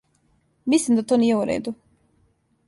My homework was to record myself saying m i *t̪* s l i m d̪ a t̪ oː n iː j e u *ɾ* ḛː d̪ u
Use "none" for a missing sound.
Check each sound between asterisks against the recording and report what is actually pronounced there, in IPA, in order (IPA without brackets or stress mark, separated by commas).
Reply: none, ɾ